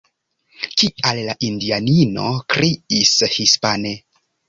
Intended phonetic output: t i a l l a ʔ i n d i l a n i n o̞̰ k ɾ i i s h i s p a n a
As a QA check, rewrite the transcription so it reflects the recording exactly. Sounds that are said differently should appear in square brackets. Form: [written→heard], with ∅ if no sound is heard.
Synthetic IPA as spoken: [t→k] i a l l a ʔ i n d i [l→∅] a n i n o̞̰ k ɾ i i s h i s p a n [a→e]